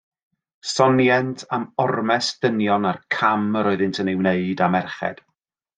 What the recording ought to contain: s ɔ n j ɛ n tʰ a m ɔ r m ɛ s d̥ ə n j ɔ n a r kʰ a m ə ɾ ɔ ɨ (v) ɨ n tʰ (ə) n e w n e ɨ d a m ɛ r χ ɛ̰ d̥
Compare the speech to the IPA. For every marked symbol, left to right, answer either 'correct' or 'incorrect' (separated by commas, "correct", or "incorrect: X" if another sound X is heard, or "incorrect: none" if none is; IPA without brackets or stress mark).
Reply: incorrect: ð, correct